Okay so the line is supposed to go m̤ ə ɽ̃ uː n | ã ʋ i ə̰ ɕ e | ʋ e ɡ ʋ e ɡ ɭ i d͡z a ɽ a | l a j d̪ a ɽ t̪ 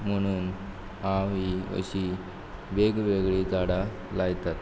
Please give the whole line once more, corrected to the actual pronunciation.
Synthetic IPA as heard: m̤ ə ɽ̃ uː n | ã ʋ i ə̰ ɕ i | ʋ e ɡ ʋ e ɡ ɭ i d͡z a ɽ a | l a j t̪ a t̪